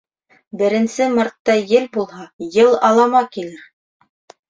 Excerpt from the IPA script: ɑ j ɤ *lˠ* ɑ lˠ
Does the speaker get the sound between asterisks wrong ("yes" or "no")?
no